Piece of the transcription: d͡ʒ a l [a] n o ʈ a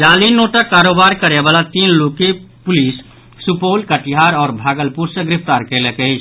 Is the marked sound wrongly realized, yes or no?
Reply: yes